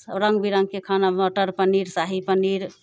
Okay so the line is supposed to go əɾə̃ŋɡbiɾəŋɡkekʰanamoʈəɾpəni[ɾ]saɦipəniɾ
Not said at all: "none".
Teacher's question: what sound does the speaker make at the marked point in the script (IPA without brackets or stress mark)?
ɾ